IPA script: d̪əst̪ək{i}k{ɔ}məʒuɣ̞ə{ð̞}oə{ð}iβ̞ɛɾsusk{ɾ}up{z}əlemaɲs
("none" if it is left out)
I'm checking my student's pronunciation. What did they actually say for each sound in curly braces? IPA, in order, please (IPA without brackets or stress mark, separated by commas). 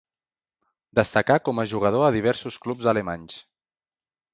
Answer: a, ɔ, ð̞, ð, l, z